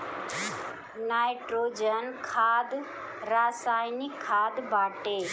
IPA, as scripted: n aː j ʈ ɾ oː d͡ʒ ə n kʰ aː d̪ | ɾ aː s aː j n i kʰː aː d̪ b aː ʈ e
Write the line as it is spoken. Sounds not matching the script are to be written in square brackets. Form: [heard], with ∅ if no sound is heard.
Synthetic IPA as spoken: n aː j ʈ ɾ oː d͡ʒ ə n kʰ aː d̪ | ɾ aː s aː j n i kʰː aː d̪ b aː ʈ e